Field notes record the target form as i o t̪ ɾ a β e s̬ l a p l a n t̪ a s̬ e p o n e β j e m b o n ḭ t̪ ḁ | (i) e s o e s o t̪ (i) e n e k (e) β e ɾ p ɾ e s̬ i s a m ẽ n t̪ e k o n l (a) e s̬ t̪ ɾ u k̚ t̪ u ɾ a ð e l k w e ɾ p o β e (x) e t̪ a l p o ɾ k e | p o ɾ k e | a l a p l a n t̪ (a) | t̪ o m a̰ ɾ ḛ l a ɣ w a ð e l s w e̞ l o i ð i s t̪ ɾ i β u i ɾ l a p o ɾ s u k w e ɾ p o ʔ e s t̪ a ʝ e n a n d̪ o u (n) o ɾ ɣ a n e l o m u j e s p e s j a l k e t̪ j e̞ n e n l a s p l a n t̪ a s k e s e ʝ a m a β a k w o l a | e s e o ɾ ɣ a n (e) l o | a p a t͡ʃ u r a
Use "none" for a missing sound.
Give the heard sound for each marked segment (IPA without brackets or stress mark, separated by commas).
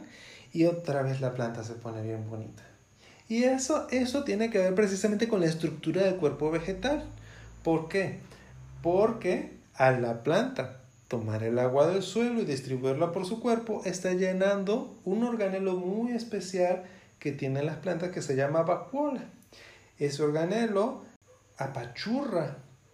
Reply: i, j, e, a, x, a, n, e